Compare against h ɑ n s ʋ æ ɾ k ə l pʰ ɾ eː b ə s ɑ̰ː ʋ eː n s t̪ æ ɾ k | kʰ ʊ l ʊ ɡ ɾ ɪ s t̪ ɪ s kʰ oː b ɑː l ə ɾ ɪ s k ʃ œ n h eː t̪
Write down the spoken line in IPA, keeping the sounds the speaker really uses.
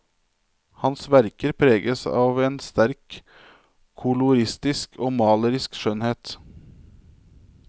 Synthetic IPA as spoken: h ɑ n s ʋ æ ɾ k ə ɾ pʰ ɾ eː ɡ ə s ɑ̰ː ʋ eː n s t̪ æ ɾ k | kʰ ʊ l ʊ ɾ ɪ s t̪ ɪ s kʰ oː m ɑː l ə ɾ ɪ s k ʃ œ n h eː t̪